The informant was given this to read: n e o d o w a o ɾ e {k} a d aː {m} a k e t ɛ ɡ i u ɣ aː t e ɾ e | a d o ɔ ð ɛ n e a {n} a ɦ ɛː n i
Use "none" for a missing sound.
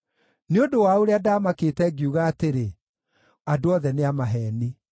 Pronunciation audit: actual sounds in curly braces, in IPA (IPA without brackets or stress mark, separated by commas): none, m, m